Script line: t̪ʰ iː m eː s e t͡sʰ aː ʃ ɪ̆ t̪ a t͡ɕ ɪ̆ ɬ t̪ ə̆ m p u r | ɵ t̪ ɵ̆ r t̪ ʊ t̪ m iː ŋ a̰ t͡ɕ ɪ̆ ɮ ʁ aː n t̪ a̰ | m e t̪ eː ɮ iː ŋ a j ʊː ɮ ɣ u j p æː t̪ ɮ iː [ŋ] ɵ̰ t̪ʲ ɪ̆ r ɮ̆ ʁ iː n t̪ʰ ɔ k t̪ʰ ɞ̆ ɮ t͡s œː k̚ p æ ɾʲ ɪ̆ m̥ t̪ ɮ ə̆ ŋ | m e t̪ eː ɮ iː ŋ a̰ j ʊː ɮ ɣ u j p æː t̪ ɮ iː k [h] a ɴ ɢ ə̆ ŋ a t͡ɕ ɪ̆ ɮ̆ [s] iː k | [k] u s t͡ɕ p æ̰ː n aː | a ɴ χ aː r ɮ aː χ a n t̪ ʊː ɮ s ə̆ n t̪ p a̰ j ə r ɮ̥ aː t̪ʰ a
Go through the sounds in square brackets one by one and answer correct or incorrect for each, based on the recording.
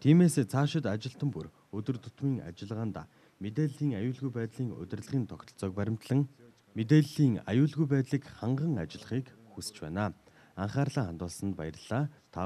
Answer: correct, incorrect: χ, incorrect: χ, incorrect: x

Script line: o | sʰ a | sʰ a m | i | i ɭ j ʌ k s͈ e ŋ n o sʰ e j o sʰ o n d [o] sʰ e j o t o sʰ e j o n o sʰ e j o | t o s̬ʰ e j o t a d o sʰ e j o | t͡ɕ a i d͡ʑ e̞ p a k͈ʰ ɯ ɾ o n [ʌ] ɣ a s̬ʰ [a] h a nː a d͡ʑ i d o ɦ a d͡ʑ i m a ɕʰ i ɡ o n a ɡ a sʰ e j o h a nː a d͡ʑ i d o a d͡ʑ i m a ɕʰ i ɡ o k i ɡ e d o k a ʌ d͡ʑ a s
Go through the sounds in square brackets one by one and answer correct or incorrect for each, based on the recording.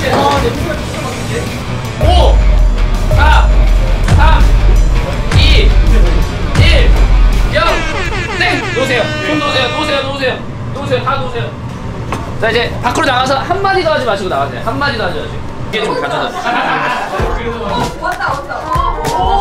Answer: correct, incorrect: a, incorrect: ʌ

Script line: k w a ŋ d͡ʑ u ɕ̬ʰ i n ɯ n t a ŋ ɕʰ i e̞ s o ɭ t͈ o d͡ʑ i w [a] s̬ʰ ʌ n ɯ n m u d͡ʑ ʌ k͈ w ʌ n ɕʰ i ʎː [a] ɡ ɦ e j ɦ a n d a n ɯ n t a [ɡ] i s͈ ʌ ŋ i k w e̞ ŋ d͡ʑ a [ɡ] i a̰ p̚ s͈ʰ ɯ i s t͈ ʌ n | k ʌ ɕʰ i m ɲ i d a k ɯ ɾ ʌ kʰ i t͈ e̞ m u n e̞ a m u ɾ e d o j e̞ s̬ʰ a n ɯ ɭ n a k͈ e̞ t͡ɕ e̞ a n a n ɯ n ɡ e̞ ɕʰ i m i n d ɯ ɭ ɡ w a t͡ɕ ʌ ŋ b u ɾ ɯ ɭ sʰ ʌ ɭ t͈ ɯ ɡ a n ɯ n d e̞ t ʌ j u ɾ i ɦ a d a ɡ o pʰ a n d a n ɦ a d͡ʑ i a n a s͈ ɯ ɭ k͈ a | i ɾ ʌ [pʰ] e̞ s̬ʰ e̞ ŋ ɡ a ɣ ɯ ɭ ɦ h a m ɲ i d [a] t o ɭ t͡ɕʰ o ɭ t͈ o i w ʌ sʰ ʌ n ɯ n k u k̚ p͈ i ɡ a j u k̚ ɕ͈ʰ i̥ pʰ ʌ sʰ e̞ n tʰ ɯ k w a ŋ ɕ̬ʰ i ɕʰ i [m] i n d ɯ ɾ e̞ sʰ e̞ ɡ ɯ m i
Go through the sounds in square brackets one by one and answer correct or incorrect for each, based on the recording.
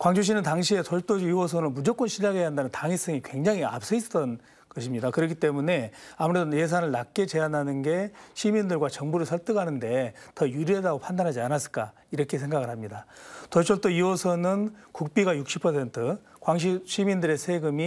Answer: incorrect: ʌ, correct, incorrect: ŋ, incorrect: ŋ, incorrect: kʰ, correct, correct

